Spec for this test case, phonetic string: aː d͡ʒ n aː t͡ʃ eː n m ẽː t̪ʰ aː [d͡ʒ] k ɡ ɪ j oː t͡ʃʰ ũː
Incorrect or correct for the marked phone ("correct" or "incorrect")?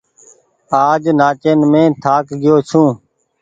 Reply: incorrect